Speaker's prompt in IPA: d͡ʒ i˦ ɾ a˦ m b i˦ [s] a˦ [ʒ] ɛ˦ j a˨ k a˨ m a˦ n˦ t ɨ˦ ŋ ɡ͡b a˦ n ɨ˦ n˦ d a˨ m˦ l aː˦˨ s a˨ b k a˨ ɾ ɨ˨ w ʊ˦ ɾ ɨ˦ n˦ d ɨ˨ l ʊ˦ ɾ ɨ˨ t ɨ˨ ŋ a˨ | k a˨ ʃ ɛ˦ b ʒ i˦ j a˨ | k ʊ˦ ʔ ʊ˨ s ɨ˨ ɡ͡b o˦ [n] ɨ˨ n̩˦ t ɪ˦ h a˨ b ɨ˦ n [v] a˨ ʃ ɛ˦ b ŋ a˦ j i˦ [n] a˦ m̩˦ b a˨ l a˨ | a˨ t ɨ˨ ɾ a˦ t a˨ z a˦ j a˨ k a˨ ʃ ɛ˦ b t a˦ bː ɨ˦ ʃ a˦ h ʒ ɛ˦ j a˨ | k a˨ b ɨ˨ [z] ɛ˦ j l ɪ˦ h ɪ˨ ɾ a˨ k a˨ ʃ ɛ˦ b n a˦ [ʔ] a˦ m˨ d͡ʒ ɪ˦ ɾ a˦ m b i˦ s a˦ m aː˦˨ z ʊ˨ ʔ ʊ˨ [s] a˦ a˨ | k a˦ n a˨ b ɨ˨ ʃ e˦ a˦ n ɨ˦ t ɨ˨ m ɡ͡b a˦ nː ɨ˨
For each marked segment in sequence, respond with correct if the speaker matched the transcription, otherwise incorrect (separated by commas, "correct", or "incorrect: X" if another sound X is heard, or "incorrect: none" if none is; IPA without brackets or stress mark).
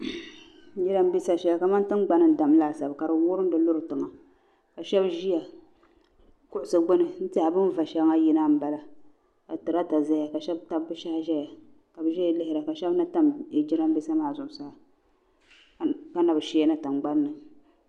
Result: correct, incorrect: ʃ, correct, correct, correct, incorrect: ʒ, incorrect: t, correct